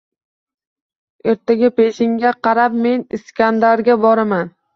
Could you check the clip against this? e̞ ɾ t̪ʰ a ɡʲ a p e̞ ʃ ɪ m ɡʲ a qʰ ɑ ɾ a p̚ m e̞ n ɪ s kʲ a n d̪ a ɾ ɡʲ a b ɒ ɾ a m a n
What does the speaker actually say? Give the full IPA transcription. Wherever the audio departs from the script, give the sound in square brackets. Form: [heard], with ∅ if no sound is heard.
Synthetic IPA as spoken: e̞ ɾ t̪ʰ a ɡʲ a p e̞ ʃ ɪ [ŋ] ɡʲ a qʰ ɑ ɾ a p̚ m e̞ n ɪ s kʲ a n d̪ a ɾ ɡʲ a b ɒ ɾ a m a n